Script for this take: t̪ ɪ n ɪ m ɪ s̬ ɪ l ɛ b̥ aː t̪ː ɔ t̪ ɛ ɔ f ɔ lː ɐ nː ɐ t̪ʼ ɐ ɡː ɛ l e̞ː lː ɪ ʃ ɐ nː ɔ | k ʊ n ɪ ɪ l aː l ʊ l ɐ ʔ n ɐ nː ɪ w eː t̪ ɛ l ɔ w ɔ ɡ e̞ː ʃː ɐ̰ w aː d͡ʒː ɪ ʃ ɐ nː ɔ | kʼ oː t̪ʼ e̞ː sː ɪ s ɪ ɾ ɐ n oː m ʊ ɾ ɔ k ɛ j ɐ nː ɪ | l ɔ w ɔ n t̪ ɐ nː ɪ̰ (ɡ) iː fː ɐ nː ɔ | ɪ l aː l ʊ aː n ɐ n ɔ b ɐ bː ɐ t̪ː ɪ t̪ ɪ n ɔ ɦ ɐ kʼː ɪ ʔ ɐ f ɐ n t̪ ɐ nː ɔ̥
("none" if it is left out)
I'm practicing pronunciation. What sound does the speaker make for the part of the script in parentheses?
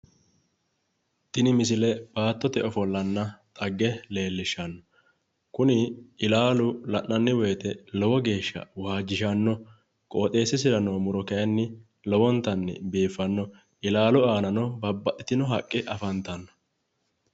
b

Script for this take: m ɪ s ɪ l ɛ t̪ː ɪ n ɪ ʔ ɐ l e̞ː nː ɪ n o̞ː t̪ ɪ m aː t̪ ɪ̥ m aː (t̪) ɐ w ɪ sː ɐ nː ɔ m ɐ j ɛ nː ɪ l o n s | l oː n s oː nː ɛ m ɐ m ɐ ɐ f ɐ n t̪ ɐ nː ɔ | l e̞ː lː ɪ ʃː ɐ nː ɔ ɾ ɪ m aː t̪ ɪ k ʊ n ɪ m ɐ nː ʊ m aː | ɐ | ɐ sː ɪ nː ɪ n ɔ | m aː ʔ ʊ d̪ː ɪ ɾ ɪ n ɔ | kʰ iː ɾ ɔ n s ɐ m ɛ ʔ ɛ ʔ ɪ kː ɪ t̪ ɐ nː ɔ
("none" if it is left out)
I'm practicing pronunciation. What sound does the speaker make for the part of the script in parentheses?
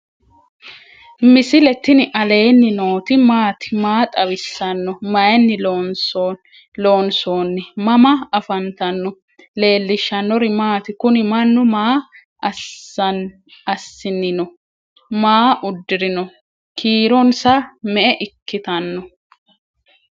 t̪ʼ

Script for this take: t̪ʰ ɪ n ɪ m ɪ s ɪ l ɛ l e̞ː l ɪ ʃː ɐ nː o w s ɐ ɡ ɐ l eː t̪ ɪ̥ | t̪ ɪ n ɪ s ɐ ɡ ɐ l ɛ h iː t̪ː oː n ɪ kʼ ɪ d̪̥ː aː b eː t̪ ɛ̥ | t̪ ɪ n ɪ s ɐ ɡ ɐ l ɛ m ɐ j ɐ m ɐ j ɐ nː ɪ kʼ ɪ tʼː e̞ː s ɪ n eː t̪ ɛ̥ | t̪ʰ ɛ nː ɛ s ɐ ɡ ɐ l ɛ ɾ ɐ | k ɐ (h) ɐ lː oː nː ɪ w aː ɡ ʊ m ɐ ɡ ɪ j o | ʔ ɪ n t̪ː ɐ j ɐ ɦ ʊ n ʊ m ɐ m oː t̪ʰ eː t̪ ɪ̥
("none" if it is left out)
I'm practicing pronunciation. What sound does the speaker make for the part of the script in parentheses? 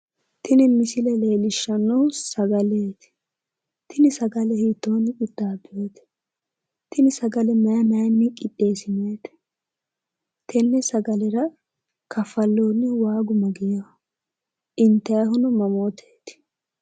f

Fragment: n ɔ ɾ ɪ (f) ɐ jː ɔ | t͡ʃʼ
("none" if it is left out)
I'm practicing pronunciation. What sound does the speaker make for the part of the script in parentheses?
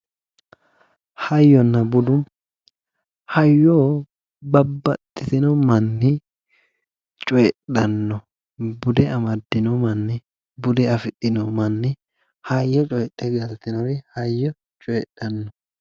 h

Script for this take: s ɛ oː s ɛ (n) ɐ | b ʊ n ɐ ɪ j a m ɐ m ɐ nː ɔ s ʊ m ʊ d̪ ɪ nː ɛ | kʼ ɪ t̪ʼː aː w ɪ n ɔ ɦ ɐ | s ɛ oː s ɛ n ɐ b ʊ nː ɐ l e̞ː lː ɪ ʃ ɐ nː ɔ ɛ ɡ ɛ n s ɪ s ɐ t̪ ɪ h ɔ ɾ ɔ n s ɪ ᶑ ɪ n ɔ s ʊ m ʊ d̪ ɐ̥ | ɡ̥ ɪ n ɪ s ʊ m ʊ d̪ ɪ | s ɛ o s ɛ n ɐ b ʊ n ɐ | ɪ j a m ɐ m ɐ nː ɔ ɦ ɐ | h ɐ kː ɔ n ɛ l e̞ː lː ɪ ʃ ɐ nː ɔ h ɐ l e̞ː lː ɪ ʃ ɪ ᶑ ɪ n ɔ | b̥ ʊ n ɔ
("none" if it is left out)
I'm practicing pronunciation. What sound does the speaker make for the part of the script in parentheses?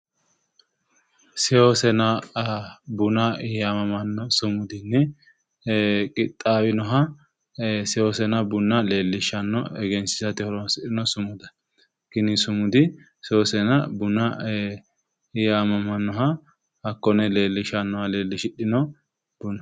n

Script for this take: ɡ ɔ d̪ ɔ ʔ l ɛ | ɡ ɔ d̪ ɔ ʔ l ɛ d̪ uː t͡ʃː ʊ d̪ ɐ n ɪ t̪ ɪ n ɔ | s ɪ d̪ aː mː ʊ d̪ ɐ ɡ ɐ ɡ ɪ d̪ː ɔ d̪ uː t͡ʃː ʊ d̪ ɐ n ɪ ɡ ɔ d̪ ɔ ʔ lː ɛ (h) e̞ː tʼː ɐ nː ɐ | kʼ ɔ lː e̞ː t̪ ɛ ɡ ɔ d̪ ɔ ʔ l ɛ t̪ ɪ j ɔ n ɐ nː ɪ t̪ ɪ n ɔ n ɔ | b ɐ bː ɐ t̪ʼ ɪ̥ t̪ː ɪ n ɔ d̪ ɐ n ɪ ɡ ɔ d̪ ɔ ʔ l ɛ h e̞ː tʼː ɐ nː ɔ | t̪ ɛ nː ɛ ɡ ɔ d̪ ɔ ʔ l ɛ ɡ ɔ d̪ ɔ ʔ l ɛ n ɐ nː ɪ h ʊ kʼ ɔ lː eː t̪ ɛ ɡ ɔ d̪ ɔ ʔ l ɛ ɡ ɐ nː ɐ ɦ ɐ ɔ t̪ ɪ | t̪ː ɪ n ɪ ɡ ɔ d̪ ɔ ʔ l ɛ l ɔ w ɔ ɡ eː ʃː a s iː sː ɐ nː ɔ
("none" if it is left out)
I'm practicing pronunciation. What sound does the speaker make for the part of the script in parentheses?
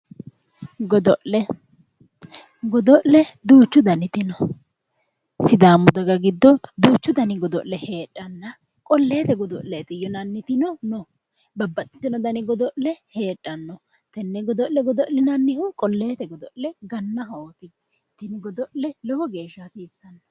h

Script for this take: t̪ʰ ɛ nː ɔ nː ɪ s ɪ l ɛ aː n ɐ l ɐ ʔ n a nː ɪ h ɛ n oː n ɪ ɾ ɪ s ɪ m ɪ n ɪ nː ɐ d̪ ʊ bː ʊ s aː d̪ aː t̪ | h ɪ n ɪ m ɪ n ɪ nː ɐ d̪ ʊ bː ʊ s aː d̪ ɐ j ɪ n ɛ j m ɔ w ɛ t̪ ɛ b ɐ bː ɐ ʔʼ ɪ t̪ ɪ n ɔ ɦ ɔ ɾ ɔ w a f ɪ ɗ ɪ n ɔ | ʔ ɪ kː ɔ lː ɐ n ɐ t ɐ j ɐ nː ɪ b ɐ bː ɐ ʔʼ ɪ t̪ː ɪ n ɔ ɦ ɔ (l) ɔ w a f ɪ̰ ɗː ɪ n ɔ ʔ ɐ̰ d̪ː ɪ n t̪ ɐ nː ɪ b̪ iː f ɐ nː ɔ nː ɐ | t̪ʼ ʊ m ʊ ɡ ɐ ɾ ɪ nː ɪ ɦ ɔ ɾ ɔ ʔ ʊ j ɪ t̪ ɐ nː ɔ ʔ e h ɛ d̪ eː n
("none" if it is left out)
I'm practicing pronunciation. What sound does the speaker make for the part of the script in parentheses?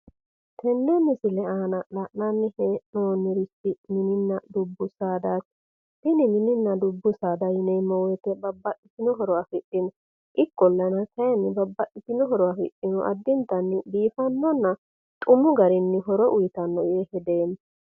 ɾ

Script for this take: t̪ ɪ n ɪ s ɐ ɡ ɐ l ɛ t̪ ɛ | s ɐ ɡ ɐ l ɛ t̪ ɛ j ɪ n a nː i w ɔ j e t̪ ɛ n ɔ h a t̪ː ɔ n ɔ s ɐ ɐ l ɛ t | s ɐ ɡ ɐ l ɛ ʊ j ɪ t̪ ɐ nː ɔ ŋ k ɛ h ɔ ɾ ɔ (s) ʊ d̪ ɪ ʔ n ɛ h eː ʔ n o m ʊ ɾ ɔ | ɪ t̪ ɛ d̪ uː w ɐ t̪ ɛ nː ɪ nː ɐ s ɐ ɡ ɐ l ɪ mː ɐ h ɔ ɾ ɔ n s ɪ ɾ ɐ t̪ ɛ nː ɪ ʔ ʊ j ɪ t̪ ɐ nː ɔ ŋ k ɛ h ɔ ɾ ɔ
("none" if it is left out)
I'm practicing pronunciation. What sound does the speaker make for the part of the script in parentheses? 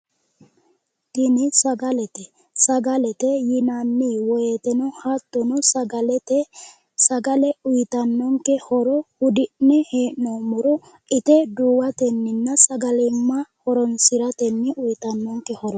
h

